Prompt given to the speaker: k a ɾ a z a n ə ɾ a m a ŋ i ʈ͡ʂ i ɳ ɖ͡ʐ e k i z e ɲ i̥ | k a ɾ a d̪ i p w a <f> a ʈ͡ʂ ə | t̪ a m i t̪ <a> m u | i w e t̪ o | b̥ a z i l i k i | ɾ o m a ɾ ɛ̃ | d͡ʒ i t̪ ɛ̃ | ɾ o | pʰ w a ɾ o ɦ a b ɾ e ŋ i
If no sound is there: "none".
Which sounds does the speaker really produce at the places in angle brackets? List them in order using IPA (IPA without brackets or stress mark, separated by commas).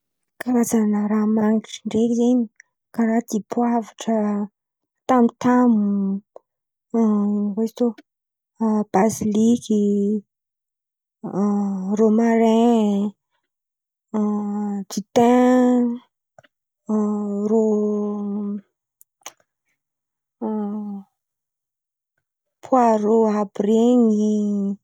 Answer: v, a